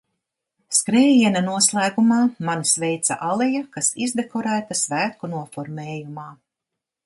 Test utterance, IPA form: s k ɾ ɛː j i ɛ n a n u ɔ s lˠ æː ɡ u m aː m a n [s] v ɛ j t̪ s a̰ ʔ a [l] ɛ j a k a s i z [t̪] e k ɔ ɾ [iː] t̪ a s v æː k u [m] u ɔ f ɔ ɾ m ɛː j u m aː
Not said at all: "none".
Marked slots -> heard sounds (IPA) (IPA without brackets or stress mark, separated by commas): s, l, d̪, æː, n